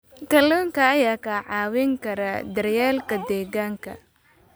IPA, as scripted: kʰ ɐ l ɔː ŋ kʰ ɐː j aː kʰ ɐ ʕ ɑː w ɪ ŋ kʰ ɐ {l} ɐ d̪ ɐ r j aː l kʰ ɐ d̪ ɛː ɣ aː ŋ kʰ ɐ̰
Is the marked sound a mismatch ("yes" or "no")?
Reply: yes